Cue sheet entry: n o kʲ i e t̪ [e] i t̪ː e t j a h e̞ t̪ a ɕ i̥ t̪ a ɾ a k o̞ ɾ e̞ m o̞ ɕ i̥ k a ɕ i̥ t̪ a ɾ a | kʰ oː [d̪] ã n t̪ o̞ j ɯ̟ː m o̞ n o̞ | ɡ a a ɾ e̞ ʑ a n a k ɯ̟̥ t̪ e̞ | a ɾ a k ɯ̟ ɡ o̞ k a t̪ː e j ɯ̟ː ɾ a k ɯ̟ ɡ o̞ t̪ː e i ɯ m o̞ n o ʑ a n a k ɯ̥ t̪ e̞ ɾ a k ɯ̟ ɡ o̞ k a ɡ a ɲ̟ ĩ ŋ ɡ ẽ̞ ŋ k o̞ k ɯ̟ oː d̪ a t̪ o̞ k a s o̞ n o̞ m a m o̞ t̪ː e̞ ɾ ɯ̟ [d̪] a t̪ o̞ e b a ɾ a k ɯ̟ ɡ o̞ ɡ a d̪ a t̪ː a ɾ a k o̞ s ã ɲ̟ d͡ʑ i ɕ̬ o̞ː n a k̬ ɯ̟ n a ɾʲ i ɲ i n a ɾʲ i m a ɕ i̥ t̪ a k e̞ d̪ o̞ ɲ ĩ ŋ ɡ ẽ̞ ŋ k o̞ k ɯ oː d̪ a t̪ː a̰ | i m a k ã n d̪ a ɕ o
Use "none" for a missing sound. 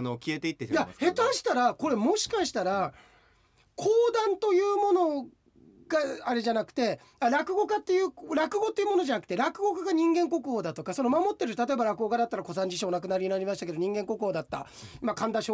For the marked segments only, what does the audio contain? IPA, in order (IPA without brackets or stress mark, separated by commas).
e, d̪, t̪